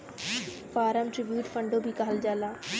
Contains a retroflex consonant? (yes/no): yes